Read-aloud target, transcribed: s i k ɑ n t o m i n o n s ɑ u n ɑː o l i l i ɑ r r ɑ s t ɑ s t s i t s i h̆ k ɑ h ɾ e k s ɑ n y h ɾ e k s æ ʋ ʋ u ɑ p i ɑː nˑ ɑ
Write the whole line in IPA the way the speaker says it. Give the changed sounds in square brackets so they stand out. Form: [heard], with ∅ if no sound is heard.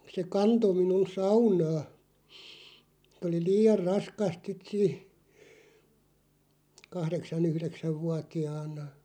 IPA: s [e] k ɑ n t o m i n [u] n s ɑ u n ɑː o l i l [iː] ɑ r r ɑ s [k] ɑ s t s i t s [iː] h̆ k ɑ h ɾ e k s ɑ n y h ɾ e k s æ ʋ ʋ u ɑ [t] i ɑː nˑ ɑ